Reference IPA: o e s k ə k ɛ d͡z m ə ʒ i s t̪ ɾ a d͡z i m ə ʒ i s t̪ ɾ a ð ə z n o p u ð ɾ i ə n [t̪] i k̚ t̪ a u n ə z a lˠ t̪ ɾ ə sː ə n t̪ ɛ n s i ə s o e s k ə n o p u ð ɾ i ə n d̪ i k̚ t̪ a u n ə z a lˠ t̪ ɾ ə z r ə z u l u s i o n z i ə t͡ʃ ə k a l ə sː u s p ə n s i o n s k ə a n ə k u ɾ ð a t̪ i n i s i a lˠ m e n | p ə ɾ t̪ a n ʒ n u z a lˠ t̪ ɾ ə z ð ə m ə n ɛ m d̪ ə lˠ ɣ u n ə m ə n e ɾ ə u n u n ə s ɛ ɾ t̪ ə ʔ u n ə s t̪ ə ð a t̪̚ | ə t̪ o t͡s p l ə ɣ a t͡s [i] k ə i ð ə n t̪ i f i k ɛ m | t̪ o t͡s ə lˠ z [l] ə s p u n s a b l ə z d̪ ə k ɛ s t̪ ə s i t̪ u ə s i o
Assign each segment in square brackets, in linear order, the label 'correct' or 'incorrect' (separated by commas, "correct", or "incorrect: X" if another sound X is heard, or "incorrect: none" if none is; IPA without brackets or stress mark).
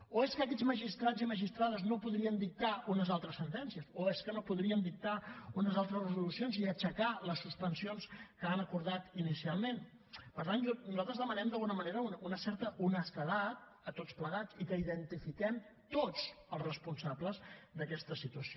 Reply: incorrect: d̪, correct, incorrect: r